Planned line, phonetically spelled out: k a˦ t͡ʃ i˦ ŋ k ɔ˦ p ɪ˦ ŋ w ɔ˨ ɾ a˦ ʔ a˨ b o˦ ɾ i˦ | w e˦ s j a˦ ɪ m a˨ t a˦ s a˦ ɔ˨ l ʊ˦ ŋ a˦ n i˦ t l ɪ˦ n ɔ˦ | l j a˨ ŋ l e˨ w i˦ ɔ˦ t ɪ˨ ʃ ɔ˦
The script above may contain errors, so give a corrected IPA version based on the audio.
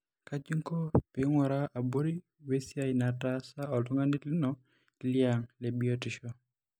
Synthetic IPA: k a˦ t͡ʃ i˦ ŋ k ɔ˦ p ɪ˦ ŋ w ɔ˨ ɾ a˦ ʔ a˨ b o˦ ɾ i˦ | w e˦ s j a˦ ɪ n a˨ t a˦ s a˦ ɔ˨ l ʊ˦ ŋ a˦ n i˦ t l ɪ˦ n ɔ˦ | l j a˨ ŋ l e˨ b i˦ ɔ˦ t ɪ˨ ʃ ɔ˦